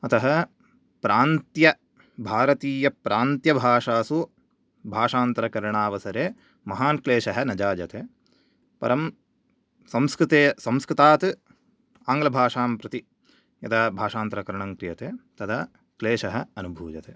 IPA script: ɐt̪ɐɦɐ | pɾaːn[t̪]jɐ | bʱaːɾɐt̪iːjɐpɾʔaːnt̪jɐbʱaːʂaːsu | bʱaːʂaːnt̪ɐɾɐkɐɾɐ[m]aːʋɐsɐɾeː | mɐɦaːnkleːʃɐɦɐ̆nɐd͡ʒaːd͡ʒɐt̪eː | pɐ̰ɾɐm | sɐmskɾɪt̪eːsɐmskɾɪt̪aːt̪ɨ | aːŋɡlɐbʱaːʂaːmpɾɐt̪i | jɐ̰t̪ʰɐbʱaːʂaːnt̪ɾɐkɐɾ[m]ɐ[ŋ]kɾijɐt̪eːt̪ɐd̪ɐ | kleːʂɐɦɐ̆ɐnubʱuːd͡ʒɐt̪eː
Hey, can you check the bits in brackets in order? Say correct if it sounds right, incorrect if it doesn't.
correct, incorrect, incorrect, correct

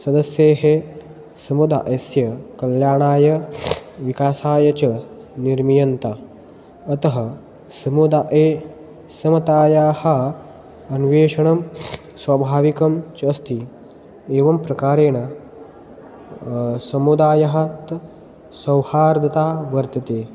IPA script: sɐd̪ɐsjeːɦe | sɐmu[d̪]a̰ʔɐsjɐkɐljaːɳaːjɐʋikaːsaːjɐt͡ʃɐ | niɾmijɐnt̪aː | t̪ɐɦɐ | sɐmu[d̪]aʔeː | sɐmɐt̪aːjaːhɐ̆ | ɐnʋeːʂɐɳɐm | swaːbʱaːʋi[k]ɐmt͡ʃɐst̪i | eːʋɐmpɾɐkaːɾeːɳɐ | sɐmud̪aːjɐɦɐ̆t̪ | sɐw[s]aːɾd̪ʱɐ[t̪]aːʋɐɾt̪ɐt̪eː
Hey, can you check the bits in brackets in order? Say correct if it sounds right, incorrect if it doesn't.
correct, correct, correct, incorrect, correct

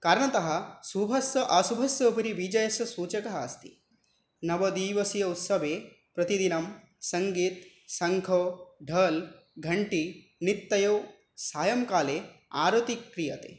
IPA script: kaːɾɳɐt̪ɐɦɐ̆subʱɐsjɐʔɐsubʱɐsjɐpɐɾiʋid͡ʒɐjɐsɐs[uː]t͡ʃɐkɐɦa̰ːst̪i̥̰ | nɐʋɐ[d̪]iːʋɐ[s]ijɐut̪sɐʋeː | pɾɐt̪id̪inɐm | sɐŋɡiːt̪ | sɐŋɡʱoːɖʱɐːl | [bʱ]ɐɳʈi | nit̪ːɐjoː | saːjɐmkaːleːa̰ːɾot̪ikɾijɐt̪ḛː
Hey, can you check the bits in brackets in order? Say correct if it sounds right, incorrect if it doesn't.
correct, correct, correct, incorrect

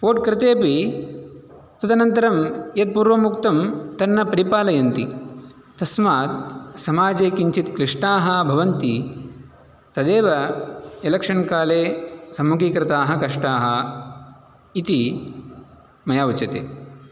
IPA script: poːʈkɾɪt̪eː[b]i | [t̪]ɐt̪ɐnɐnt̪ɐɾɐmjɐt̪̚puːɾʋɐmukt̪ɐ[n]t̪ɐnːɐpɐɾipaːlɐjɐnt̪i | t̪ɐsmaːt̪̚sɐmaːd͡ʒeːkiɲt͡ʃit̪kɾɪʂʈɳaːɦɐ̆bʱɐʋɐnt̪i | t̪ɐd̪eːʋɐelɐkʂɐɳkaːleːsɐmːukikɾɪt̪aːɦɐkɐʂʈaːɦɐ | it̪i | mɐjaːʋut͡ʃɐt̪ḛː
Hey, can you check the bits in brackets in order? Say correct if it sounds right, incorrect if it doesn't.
incorrect, correct, incorrect

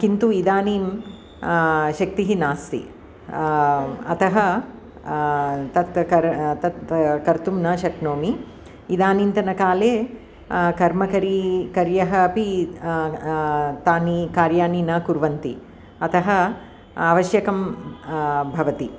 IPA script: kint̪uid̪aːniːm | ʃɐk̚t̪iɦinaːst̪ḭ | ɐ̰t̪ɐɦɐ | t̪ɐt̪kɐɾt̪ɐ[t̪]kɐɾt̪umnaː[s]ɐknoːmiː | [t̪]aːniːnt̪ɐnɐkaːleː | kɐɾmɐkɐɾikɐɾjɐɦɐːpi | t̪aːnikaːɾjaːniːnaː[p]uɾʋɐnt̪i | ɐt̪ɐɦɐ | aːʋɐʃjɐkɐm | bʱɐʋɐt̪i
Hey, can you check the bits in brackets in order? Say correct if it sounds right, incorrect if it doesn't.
correct, incorrect, incorrect, incorrect

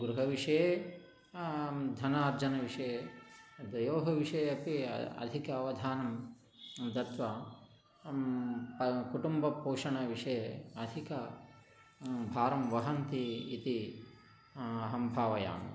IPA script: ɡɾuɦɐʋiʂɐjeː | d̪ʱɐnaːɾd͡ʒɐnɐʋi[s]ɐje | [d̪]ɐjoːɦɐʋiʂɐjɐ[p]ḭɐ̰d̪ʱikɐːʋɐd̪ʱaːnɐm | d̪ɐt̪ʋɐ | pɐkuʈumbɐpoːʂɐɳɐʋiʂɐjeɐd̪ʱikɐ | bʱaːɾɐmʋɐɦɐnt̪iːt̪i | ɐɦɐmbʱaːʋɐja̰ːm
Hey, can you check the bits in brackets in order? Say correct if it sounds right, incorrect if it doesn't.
incorrect, correct, correct

